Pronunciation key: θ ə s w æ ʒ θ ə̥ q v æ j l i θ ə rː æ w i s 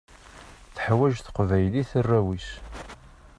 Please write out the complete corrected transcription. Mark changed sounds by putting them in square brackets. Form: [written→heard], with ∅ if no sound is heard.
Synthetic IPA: θ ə [s→ħ] w æ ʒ θ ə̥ q v æ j l i θ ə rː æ w i s